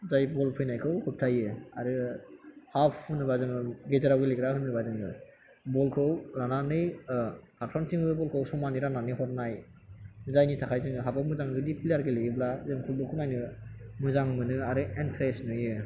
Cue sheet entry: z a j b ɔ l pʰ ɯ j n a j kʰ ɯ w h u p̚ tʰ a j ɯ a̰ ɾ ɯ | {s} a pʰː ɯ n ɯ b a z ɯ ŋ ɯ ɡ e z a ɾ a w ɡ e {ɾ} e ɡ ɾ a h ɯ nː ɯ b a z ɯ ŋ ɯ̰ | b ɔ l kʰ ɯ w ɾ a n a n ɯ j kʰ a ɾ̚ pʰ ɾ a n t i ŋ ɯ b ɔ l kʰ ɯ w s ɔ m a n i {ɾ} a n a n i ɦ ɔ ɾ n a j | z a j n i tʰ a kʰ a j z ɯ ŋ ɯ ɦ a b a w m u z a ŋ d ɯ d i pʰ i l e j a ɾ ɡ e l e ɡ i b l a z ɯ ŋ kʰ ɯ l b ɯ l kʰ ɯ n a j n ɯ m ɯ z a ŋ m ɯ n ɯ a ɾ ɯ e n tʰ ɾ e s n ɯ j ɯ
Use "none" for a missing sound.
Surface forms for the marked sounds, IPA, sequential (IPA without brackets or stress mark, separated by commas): h, l, ɾ